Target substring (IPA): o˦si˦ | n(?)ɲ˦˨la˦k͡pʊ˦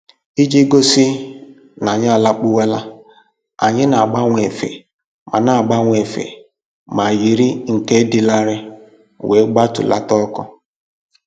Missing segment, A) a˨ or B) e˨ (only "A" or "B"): A